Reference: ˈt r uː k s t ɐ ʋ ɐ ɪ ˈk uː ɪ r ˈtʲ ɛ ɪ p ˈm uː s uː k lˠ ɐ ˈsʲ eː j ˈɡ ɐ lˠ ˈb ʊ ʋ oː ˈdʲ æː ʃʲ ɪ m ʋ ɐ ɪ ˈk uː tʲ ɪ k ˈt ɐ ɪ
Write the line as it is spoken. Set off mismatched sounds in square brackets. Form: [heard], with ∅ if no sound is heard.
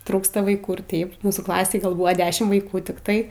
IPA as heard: ˈt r uː k s t ɐ ʋ ɐ ɪ ˈk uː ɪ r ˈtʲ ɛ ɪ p ˈm uː s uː k lˠ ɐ ˈsʲ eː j ˈɡ ɐ lˠ ˈb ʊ ʋ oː ˈdʲ æː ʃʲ ɪ m ʋ ɐ ɪ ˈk uː tʲ ɪ k ˈt ɐ ɪ